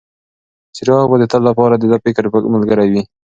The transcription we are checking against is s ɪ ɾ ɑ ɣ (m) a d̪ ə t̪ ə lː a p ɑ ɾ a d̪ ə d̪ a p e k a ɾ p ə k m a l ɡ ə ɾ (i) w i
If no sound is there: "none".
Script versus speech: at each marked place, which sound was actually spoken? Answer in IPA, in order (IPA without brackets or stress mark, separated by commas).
b, a